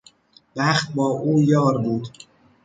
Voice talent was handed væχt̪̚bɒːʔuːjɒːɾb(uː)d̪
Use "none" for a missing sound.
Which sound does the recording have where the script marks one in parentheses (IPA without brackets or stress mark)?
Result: uː